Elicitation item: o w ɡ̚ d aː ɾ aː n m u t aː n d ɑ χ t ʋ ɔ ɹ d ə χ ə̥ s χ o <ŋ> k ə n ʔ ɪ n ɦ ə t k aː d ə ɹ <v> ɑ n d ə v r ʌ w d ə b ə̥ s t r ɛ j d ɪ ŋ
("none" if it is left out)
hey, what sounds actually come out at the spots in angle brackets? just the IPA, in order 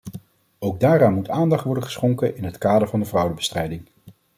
ŋ, v

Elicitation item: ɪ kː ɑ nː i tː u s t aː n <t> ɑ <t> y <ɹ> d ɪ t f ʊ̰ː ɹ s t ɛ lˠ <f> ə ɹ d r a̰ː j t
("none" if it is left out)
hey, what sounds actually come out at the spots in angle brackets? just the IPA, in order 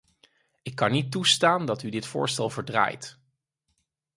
d, t, none, v

